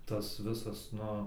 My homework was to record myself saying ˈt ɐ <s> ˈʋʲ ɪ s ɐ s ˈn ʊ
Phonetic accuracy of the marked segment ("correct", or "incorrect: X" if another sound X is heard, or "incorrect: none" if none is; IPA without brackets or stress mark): correct